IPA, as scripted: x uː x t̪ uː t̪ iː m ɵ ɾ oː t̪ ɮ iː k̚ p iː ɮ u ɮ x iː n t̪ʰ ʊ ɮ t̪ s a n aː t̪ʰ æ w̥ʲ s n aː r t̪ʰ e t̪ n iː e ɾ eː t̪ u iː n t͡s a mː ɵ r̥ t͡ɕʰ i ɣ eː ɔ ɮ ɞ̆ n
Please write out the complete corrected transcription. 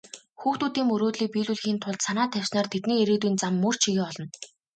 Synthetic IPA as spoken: x uː x t̪ uː t̪ iː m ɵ ɾ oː t̪ ɮ iː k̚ p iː ɮ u ɮ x iː n t̪ʰ ʊ ɮ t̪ s a n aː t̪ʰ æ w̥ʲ s n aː r t̪ʰ e t̪ n iː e ɾ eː t̪ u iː n t͡s a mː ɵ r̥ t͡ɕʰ i ɣ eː ɔ ɮ ɞ̆ n